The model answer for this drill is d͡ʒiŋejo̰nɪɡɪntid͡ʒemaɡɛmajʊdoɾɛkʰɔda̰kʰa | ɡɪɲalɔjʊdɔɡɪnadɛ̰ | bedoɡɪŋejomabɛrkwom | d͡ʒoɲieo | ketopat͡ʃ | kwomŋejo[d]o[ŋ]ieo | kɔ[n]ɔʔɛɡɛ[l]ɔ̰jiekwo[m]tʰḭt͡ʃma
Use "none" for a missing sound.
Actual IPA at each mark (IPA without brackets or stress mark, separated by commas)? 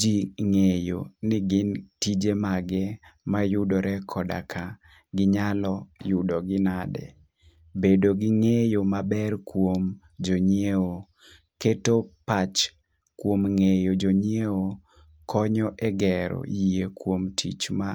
d͡ʒ, ɲ, ɲ, ɾ, m